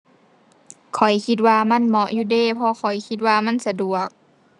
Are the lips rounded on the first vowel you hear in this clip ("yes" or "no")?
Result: yes